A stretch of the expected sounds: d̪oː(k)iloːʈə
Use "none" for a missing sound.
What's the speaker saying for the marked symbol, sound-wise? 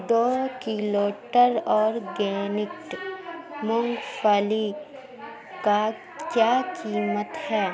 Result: k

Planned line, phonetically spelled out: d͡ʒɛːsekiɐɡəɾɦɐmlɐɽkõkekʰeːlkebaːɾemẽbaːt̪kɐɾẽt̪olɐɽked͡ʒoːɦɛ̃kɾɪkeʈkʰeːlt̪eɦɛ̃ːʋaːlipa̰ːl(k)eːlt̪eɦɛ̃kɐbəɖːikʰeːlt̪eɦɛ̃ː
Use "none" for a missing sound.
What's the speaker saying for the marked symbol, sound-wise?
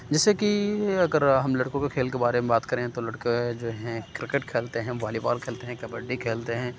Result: kʰ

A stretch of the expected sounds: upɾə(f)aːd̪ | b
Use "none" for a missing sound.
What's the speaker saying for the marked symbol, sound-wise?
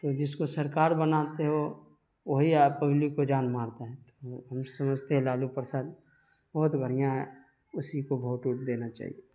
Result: s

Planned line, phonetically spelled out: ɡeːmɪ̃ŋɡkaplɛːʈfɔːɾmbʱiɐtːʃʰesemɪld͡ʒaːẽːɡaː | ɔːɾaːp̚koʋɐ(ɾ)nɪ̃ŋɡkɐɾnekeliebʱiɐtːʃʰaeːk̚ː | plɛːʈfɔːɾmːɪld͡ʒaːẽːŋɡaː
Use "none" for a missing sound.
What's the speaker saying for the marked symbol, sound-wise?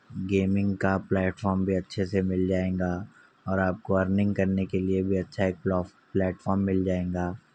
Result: ɾ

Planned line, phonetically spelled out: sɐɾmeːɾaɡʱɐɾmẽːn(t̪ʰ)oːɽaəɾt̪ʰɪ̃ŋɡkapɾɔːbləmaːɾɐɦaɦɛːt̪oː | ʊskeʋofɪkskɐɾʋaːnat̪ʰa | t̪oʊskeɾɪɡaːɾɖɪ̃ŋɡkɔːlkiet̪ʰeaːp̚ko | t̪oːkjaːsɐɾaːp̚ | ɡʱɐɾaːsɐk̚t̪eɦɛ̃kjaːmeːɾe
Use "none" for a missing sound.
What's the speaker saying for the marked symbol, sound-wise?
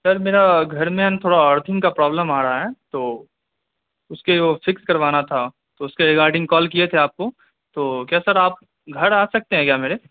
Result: t̪ʰ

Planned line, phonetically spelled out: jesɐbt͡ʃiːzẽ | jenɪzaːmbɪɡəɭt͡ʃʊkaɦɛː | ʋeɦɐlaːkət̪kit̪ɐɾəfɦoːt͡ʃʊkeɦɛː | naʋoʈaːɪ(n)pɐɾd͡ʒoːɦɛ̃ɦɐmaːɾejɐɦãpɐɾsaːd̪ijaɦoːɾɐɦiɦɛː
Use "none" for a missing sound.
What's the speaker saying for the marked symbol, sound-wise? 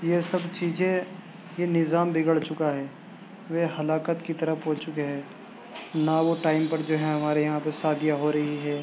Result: m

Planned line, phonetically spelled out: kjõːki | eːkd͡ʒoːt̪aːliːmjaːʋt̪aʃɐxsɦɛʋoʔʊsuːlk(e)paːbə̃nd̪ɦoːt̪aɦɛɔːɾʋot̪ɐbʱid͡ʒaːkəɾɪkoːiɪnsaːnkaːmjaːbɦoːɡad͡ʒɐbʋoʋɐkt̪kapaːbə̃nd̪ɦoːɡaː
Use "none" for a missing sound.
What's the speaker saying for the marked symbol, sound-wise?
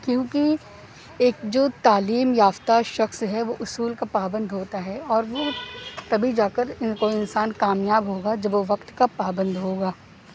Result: a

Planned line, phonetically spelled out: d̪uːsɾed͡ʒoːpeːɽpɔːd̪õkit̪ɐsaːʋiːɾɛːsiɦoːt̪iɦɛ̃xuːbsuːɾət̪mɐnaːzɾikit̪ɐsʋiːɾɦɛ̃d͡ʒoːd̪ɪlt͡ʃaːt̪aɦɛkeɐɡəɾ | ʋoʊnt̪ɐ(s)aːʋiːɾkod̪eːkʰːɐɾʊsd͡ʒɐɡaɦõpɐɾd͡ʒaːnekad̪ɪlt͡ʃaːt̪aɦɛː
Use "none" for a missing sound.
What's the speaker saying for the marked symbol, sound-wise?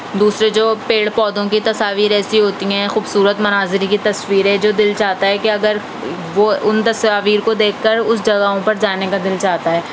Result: s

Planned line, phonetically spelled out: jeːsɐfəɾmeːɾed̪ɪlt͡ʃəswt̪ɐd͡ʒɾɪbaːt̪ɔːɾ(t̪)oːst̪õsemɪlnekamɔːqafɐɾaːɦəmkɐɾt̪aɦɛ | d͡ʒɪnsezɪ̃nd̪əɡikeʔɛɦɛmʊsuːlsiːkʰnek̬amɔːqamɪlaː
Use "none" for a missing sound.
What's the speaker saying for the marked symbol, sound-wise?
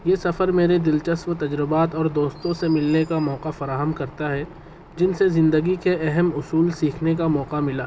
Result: d̪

